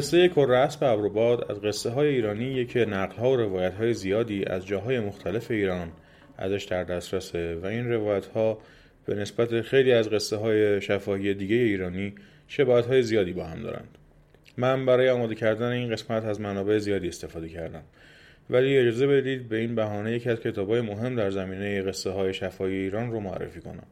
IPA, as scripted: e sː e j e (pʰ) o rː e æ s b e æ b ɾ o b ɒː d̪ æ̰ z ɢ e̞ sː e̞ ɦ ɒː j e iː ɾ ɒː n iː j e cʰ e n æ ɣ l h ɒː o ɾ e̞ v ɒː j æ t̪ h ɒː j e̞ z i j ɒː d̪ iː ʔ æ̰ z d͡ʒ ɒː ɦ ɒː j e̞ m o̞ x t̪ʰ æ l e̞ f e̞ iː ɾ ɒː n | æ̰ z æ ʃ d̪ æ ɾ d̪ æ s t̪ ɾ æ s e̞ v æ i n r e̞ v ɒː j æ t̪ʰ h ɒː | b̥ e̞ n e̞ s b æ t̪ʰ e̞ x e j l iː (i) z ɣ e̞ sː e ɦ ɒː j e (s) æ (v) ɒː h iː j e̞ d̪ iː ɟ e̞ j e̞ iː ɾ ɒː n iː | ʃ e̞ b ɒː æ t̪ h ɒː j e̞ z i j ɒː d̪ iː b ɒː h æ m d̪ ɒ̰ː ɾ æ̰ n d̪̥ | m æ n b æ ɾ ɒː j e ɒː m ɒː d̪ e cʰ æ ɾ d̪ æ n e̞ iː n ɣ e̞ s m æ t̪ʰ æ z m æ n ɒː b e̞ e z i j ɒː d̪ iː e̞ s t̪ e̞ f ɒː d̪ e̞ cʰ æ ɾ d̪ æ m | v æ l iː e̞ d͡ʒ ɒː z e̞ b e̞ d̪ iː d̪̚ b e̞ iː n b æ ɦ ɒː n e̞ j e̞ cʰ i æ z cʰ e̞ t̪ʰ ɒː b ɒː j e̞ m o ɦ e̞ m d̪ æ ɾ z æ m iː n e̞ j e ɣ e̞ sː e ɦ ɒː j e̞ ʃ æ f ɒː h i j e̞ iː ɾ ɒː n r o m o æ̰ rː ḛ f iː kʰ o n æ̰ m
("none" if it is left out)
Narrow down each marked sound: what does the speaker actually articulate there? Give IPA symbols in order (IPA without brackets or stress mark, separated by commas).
kʰ, æ, ʃ, f